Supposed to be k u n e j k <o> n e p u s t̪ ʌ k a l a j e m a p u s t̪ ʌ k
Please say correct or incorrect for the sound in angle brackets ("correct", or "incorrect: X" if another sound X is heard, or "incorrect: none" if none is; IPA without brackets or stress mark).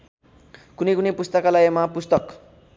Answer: incorrect: u